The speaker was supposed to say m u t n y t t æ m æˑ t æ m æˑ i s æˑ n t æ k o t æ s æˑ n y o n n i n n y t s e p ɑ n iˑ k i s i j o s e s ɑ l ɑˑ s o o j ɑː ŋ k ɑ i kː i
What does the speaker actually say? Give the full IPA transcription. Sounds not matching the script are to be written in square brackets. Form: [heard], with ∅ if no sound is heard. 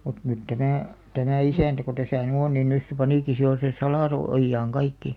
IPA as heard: m u t n y t t æ m æˑ t æ m æˑ i s æˑ n t æ k o t æ s æˑ n y o n n i n n y [s] s e p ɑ n iˑ k i s i j o s e s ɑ l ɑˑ s o o [jː] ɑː ŋ k ɑ i kː i